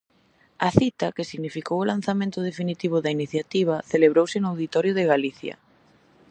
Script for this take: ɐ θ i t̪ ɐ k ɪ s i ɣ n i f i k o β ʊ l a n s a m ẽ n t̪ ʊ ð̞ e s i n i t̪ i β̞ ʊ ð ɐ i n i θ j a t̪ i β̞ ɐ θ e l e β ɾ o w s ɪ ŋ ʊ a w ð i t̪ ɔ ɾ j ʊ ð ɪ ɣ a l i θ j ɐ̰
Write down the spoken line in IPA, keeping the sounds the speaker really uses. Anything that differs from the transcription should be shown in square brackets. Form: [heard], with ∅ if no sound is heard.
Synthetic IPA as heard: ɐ θ i t̪ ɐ k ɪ s i ɣ n i f i k o [w] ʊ l a n [θ] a m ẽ n t̪ ʊ ð̞ e [f] i n i t̪ i β̞ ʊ ð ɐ i n i θ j a t̪ i β̞ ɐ θ e l e β ɾ o w s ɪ [n] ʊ a w ð i t̪ ɔ ɾ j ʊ ð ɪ ɣ a l i θ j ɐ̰